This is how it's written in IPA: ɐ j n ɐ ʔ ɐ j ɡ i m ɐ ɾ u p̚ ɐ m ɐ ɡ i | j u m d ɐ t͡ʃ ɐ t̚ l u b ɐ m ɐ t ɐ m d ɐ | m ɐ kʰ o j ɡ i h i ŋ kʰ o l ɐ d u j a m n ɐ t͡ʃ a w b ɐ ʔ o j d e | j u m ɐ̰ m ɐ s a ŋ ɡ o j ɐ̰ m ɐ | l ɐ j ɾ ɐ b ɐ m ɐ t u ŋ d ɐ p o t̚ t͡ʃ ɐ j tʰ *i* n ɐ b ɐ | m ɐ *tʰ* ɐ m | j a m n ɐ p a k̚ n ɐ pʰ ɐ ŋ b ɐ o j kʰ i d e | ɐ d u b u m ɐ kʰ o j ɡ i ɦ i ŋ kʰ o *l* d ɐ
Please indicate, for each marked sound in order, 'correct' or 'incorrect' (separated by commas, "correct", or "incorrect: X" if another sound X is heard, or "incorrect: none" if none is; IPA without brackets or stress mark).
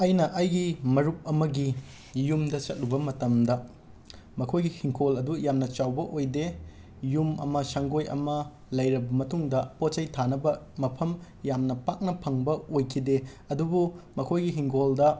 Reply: incorrect: a, incorrect: pʰ, correct